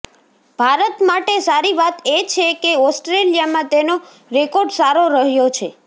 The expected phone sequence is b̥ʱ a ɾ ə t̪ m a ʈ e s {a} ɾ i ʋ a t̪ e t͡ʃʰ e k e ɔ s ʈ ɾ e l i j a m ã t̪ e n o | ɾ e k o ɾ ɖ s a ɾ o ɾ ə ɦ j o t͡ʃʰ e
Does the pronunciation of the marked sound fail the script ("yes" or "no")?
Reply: no